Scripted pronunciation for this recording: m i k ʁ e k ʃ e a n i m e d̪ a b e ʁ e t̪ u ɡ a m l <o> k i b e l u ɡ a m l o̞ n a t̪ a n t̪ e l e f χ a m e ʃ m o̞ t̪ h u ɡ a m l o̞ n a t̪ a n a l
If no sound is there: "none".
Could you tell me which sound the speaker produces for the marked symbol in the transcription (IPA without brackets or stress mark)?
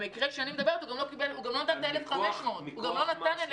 o